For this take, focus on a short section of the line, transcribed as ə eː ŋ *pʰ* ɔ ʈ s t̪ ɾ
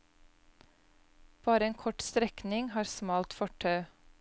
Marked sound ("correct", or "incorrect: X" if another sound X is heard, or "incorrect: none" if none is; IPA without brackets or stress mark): incorrect: kʰ